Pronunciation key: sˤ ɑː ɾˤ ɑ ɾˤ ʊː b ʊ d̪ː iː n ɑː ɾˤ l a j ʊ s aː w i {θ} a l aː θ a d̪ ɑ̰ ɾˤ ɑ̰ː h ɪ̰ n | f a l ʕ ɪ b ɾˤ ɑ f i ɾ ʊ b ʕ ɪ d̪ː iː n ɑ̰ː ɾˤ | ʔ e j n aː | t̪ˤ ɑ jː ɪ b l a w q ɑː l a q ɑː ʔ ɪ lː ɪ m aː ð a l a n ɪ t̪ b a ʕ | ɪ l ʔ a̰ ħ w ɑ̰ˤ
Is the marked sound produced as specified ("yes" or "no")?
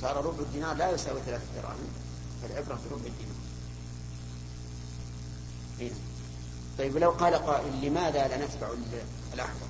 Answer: yes